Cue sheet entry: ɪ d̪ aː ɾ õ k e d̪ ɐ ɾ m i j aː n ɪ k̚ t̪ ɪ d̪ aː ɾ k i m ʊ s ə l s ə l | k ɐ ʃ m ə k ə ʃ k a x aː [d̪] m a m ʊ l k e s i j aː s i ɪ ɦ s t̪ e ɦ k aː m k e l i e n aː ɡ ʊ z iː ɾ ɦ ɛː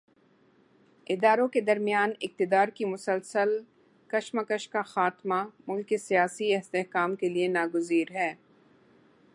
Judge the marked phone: incorrect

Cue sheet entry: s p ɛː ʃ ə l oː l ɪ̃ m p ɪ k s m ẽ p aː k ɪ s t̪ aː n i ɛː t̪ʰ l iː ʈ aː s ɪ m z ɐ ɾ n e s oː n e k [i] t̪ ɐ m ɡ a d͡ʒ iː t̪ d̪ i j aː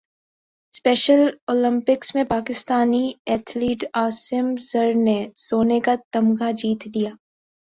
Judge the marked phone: incorrect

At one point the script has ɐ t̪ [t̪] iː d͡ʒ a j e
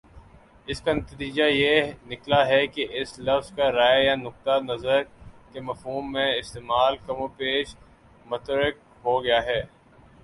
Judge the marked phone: correct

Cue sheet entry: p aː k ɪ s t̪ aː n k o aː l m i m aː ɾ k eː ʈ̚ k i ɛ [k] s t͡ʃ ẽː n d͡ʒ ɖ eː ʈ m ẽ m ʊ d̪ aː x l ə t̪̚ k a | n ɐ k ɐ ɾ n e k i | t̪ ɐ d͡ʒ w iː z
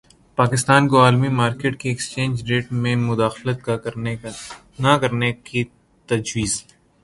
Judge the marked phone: correct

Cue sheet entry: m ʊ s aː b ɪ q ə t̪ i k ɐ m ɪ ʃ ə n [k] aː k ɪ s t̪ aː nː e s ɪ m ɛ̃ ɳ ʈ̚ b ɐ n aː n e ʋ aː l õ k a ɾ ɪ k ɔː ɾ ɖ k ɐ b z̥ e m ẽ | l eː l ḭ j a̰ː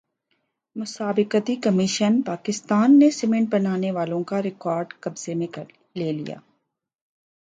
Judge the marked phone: incorrect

